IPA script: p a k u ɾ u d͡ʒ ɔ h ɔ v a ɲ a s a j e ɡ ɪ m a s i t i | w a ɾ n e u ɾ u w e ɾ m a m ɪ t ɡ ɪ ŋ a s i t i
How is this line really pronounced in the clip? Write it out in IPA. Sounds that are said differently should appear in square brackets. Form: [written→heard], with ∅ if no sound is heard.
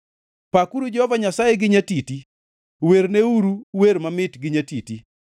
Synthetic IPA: p a k u ɾ u d͡ʒ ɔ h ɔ v a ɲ a s a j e ɡ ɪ [m→ɲ] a [s→t] i t i | w [a→e] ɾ n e u ɾ u w e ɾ m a m ɪ t ɡ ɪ [ŋ→ɲ] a [s→t] i t i

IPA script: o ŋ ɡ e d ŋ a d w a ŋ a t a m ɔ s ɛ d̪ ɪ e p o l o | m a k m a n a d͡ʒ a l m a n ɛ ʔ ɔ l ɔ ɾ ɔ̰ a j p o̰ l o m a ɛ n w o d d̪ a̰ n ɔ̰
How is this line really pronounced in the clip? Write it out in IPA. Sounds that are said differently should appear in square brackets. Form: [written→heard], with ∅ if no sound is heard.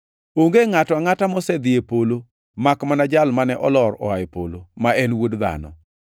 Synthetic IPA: o ŋ ɡ e [d→∅] ŋ a [d→t] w a ŋ a t a m ɔ s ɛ d̪ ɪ e p o l o | m a k m a n a d͡ʒ a l m a n ɛ ʔ ɔ l ɔ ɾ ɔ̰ a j p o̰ l o m a ɛ n w o d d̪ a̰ n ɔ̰

